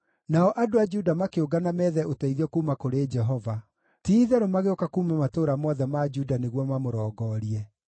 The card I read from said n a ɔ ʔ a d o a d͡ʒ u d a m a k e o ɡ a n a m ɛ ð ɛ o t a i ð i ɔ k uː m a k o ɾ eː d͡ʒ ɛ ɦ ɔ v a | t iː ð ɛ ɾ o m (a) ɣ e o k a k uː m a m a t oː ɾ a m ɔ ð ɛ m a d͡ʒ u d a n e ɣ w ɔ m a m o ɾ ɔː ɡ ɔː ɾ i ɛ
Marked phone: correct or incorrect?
correct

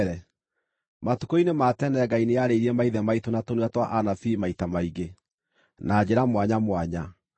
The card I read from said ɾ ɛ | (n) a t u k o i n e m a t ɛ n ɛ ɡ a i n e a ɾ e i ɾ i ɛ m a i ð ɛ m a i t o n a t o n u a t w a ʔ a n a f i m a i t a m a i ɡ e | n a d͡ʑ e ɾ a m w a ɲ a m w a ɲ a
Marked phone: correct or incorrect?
incorrect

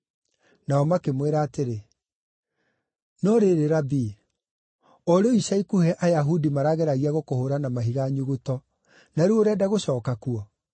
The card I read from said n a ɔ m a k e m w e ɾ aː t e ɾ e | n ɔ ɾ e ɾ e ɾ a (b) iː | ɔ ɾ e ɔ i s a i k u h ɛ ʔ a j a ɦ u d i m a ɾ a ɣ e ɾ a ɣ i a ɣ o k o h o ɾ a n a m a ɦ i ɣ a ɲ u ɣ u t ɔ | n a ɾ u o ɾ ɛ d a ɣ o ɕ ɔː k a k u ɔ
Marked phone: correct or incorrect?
correct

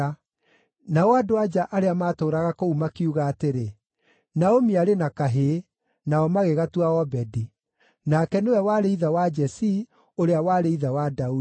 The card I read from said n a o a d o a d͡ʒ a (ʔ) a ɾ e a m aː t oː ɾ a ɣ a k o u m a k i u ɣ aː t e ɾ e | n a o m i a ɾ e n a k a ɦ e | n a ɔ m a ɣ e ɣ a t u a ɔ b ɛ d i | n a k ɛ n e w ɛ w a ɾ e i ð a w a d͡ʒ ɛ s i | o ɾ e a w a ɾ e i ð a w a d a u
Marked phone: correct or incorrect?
correct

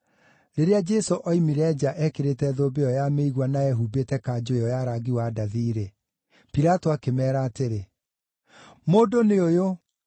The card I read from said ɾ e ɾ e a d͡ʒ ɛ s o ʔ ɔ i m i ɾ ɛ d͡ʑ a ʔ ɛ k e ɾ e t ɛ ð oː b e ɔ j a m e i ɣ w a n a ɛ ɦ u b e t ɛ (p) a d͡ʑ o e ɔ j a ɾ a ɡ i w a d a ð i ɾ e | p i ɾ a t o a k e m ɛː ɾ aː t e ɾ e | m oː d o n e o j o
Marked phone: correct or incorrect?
incorrect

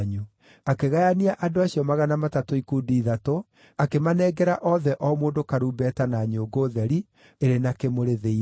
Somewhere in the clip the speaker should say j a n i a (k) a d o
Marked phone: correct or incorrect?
incorrect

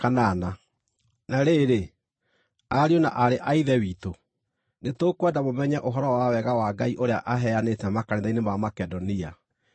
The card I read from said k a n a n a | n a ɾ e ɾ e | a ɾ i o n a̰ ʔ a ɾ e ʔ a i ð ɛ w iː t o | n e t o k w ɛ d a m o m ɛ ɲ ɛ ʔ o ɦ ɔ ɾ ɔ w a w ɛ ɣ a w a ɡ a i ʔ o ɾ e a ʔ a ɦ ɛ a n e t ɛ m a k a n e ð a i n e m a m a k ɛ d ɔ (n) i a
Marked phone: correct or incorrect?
correct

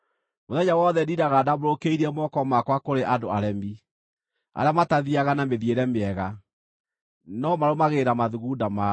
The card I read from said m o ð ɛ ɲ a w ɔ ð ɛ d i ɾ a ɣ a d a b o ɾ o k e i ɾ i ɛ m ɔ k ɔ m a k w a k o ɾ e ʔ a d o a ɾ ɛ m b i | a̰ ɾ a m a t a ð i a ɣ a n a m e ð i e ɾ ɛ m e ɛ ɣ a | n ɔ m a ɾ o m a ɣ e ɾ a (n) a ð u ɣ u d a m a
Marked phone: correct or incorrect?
incorrect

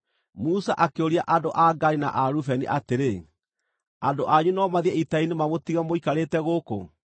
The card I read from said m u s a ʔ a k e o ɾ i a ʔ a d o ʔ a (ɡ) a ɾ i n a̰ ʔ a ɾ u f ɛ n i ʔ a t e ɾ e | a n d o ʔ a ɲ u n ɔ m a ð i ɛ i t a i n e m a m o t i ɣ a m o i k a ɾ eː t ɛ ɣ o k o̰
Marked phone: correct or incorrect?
correct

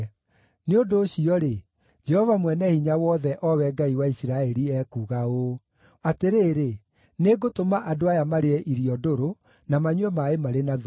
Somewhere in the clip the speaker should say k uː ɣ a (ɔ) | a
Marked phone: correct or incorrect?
incorrect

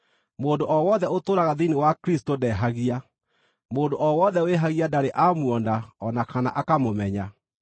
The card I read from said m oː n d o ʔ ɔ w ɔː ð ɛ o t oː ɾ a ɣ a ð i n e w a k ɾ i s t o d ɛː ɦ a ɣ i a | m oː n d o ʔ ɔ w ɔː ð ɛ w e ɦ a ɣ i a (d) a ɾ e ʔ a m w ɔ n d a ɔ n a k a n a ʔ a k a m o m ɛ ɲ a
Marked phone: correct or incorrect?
correct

